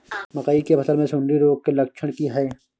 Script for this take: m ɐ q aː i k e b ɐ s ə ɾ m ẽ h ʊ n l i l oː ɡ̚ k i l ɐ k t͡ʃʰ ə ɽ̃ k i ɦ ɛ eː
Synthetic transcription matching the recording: m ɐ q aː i k e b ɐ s ə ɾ m ẽ s ʊ n ɾ i ɾ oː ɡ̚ k e l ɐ k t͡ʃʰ ə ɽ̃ k i ɦ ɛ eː